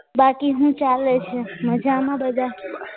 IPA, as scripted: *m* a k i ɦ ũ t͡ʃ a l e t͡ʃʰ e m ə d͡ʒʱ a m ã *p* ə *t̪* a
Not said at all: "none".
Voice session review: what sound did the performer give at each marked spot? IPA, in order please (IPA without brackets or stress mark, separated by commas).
b, b, d̪